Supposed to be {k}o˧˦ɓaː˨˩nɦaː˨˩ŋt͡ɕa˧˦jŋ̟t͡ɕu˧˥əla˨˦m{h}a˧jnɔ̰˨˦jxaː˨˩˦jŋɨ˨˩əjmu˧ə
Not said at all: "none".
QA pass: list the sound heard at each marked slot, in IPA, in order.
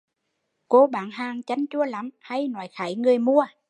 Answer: k, h

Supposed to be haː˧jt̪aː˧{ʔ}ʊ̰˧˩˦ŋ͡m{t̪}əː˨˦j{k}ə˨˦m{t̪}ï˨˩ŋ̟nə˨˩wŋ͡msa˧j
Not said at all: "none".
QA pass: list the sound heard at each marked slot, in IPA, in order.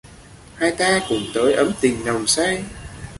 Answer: k, t̪, ʔ, t̪

